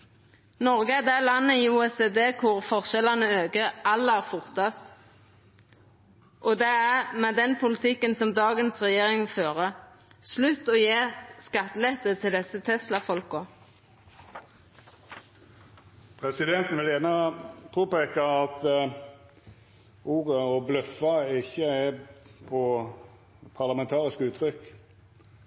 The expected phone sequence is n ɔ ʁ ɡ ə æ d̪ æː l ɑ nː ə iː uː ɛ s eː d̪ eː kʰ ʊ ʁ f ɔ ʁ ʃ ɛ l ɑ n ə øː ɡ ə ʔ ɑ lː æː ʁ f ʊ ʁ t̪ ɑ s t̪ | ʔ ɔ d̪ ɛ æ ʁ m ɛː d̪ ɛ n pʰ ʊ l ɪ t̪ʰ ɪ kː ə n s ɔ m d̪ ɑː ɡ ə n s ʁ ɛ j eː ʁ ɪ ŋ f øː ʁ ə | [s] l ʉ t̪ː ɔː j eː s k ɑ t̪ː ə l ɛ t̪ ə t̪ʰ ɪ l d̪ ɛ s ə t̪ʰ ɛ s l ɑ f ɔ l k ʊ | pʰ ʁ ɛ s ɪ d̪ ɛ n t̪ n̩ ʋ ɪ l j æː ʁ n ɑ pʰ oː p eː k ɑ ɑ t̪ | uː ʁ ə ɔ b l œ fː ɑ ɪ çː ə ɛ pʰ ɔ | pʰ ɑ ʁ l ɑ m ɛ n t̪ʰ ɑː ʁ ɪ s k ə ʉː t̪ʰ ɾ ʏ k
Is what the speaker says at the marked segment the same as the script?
yes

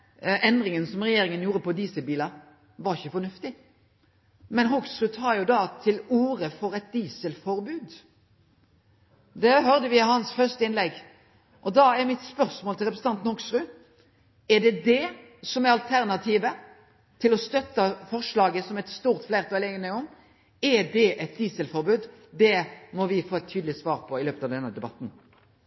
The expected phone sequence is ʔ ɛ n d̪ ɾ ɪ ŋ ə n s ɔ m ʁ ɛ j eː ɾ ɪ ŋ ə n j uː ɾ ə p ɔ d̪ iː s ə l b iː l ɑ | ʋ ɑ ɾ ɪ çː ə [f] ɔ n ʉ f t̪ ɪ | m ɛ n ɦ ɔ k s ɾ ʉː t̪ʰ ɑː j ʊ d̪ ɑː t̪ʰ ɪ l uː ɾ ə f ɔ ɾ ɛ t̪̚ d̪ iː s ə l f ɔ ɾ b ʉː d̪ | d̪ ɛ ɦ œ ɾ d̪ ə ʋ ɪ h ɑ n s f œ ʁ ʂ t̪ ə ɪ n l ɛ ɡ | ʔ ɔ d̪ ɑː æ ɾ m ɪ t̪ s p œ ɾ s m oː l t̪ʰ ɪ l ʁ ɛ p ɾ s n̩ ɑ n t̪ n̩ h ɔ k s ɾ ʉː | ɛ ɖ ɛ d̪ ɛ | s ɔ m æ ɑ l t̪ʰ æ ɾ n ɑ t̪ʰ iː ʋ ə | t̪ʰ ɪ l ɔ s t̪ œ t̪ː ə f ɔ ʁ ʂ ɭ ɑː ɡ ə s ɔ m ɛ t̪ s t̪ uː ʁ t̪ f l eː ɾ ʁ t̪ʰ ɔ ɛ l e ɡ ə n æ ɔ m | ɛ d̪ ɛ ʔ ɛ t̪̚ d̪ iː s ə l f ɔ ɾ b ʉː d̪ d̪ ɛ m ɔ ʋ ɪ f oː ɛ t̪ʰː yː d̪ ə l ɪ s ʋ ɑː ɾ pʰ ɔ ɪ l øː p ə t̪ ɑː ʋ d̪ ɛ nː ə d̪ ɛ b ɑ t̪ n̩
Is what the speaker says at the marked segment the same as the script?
yes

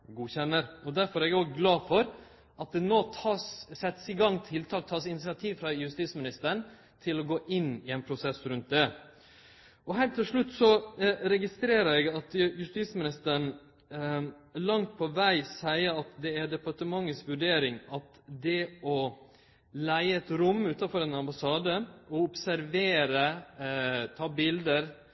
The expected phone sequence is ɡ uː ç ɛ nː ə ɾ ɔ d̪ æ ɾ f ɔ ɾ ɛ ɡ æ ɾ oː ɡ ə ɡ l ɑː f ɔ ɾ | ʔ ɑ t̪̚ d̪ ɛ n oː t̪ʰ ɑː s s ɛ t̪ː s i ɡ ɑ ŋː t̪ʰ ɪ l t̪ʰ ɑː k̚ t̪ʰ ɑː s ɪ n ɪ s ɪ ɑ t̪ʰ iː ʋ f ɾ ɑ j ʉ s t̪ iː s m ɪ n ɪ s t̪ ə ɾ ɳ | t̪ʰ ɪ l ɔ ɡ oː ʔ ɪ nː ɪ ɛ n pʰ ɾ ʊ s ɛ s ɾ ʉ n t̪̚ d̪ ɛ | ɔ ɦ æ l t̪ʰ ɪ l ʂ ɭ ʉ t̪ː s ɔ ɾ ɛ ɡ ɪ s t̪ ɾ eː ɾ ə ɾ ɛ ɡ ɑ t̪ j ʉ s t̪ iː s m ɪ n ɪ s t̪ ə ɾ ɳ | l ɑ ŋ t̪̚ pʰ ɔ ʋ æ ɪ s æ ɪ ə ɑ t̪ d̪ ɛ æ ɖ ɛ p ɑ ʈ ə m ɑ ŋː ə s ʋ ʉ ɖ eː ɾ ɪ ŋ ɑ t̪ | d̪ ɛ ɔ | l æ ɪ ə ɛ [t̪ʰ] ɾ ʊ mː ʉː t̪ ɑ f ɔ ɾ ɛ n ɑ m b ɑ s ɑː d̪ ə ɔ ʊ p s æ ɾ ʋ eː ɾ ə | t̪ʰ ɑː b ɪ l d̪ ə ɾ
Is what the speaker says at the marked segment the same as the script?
no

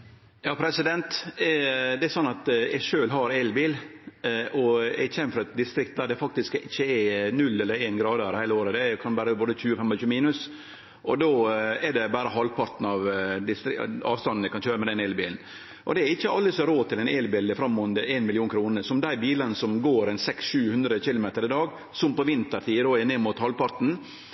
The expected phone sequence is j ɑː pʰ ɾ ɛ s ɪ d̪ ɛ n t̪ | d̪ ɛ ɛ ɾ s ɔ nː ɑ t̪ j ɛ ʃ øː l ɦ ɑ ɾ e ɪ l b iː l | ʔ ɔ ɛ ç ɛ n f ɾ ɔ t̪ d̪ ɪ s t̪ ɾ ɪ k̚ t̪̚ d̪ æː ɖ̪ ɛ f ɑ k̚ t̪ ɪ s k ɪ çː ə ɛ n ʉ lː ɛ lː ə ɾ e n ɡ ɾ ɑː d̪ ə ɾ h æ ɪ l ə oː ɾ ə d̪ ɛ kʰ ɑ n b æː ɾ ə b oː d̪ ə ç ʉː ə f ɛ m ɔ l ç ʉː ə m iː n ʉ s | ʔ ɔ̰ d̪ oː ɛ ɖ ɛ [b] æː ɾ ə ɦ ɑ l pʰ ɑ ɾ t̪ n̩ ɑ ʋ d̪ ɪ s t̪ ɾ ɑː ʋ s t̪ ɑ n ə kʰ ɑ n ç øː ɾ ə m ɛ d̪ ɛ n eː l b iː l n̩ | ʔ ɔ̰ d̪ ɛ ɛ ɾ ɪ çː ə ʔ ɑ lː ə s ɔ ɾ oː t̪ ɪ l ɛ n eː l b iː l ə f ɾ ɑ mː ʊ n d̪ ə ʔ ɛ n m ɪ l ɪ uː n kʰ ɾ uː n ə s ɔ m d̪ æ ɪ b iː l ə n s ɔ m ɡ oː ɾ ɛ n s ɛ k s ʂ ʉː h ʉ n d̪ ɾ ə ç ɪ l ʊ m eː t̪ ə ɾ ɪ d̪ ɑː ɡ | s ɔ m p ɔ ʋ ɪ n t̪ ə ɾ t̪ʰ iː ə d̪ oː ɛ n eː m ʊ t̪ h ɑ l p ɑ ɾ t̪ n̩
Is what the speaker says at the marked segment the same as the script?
yes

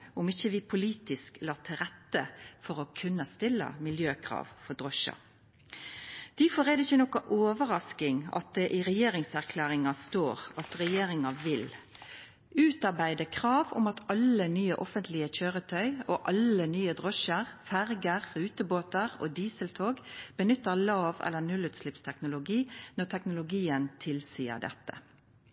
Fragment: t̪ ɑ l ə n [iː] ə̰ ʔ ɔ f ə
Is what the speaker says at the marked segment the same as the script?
no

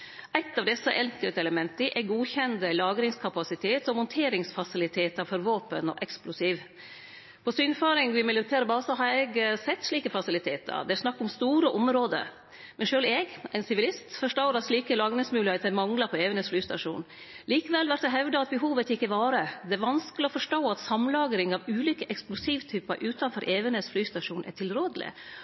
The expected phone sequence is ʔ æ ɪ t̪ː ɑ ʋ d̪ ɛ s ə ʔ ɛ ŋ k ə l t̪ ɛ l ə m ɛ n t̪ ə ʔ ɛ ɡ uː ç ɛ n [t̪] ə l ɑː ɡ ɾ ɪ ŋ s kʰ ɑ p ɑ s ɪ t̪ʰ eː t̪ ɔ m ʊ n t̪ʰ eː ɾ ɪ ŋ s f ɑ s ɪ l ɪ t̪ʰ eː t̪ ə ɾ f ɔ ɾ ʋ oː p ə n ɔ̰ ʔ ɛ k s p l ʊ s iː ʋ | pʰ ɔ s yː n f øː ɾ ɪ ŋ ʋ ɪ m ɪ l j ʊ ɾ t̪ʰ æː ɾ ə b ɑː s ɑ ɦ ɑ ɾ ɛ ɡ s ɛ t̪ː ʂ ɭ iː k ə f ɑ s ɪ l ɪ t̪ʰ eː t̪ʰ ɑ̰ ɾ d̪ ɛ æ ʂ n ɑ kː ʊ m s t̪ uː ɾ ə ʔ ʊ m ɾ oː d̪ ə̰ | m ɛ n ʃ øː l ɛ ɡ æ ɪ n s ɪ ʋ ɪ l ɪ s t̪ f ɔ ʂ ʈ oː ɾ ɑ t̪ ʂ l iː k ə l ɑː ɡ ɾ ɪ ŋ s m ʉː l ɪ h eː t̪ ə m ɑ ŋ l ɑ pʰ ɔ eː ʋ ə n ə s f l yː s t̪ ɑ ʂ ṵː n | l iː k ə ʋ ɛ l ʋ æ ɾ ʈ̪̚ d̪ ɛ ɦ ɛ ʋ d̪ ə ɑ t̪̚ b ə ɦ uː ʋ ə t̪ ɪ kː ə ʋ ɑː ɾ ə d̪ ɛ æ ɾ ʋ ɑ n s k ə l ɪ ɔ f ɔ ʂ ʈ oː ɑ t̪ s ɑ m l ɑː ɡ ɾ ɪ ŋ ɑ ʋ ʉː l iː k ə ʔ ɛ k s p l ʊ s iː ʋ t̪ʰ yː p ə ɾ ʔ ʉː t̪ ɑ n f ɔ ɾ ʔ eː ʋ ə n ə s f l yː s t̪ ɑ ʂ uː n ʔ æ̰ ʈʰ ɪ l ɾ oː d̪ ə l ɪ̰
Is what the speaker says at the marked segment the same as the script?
no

